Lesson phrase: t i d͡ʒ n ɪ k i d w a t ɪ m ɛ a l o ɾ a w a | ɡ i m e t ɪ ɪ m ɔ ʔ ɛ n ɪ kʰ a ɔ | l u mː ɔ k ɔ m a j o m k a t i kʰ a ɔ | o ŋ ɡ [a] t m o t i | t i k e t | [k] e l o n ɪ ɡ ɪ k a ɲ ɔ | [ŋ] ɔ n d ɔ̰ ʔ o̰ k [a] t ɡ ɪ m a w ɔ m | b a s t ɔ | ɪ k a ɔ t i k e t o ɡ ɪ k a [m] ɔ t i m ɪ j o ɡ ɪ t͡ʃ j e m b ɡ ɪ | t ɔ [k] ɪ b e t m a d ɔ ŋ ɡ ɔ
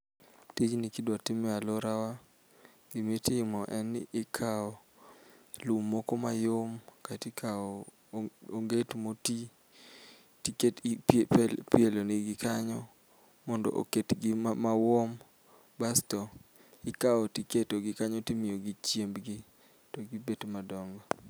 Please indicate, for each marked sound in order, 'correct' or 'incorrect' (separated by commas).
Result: incorrect, incorrect, incorrect, incorrect, incorrect, incorrect